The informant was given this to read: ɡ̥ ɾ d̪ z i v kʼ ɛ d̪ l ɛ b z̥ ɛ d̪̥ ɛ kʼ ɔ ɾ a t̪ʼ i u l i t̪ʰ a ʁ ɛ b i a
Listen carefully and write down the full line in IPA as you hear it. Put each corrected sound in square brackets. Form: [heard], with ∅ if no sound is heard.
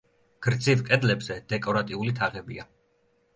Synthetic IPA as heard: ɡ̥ ɾ d̪ z i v kʼ ɛ d̪ l ɛ b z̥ ɛ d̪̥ ɛ kʼ ɔ ɾ a t̪ʼ i u l i t̪ʰ a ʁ ɛ b i a